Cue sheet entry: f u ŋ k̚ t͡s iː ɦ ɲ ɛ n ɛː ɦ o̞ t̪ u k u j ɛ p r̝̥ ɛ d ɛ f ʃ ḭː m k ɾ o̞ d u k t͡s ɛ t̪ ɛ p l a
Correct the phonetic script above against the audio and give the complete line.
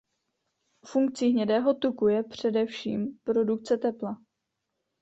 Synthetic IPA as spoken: f u ŋ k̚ t͡s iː ɦ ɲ ɛ d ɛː ɦ o̞ t̪ u k u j ɛ p r̝̥ ɛ d ɛ f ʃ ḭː m p ɾ o̞ d u k t͡s ɛ t̪ ɛ p l a